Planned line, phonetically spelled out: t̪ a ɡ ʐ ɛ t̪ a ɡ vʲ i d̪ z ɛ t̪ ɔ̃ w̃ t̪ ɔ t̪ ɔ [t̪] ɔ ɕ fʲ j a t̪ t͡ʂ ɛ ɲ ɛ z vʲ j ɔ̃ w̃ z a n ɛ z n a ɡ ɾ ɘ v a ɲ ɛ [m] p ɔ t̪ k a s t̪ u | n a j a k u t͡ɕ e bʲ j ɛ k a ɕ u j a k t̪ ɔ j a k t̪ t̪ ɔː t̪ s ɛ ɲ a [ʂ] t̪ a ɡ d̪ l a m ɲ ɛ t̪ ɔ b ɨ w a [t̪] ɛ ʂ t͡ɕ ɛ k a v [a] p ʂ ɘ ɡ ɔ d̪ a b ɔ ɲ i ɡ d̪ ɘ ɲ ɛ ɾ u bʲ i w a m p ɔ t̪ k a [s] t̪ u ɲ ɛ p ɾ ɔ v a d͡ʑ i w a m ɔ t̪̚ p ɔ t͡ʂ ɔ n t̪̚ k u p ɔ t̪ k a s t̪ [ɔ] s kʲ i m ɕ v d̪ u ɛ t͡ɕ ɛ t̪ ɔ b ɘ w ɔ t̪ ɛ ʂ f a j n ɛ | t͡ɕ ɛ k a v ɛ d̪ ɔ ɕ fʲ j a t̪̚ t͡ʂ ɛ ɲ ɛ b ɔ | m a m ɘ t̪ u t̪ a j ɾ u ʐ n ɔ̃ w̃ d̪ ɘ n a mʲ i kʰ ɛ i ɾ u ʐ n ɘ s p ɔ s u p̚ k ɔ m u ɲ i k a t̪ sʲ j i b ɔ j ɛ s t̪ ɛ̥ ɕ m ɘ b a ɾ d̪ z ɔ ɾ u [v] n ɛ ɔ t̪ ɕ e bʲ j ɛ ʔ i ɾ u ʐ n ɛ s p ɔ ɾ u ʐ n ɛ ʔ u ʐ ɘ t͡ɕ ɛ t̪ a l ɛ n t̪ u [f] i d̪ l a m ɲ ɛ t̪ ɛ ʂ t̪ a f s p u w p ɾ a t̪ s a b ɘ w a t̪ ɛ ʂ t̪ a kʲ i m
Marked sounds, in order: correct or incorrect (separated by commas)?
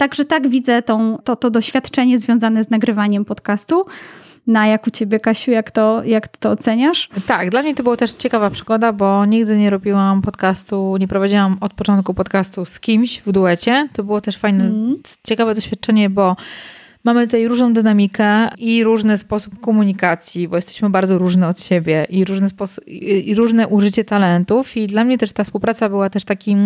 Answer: incorrect, correct, correct, correct, correct, correct, incorrect, incorrect, correct